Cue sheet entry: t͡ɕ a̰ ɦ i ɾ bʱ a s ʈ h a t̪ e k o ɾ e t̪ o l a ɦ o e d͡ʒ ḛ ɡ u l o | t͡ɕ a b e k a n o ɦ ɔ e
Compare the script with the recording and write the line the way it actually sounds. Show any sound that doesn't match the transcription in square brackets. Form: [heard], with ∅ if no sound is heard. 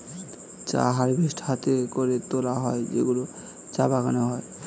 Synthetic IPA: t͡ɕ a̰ ɦ [a] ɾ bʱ [i] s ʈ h a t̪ e k o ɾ e t̪ o l a ɦ [ɔ] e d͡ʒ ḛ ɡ u l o | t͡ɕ a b [a] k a n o ɦ ɔ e